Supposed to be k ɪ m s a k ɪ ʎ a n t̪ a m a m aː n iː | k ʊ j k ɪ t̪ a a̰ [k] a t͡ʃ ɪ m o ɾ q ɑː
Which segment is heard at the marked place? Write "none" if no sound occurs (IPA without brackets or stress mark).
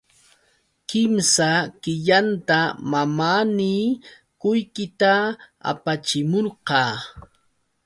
p